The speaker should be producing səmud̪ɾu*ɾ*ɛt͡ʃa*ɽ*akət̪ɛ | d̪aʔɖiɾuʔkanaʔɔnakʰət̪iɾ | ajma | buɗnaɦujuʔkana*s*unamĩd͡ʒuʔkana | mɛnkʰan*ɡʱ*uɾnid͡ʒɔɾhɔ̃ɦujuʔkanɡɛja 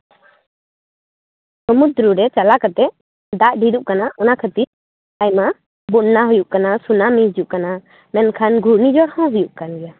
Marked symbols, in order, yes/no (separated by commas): yes, no, yes, yes